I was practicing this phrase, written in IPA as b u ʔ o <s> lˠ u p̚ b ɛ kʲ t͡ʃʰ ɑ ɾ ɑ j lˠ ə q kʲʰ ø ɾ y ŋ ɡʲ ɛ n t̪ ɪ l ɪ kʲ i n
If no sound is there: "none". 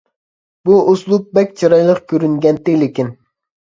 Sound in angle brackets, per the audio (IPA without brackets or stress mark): s